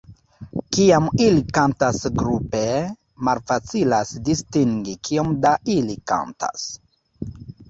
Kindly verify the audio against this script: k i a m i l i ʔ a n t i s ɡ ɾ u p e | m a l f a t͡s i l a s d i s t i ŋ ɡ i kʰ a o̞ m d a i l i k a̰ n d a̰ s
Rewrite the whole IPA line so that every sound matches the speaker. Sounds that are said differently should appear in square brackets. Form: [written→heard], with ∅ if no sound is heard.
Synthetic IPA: k i a m i l i [ʔ→k] a n t [i→a] s ɡ ɾ u p e | m a l f a t͡s i l a s d i s t i ŋ ɡ i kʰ [a→i] o̞ m d a i l i k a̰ n [d→t] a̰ s